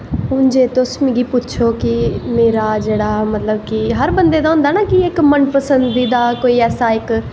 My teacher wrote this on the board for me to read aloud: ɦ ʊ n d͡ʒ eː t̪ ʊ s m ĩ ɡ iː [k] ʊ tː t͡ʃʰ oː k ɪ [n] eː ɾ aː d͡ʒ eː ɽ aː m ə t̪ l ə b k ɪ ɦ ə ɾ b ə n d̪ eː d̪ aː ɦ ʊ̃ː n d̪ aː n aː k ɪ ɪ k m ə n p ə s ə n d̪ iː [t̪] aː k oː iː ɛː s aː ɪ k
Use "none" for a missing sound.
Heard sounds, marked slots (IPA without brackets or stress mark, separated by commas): p, m, d̪